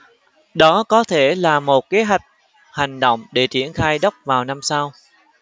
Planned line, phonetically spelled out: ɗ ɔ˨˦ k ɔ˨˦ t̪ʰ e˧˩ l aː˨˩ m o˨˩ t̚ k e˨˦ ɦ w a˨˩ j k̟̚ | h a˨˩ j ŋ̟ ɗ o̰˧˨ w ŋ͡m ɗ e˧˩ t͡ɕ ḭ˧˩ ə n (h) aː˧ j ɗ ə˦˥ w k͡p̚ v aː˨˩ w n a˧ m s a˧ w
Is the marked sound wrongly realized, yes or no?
yes